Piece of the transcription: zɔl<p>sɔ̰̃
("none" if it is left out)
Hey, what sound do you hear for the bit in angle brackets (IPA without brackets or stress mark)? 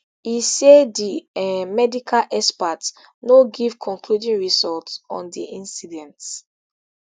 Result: t